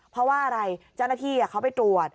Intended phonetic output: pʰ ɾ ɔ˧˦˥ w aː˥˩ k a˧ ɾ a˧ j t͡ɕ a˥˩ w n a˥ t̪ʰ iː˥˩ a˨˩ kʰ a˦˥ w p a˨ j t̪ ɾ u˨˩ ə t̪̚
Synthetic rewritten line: pʰ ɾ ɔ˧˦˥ w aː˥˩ ʔ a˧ ɾ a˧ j t͡ɕ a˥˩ w n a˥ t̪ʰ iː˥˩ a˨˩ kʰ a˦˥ w p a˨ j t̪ ɾ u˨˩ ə t̪̚